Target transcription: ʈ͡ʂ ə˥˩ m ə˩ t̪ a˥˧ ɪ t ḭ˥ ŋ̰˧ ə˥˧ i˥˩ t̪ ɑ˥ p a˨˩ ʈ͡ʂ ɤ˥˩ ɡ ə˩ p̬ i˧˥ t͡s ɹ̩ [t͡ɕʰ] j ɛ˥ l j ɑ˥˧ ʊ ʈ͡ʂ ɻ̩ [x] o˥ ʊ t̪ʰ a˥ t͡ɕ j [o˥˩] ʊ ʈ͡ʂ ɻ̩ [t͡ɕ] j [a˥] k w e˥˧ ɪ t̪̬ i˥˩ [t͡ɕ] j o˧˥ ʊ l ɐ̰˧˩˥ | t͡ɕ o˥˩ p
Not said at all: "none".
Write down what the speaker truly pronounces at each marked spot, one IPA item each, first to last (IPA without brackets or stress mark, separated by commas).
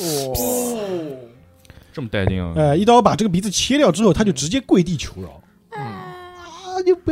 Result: t͡ɕʰ, x, o˥˩, t͡ɕ, ɛ˥, t͡ɕʰ